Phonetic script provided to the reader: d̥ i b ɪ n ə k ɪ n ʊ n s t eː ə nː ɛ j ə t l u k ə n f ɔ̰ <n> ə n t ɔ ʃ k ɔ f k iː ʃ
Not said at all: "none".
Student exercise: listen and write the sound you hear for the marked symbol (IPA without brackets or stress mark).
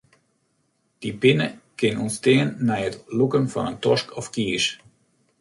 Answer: n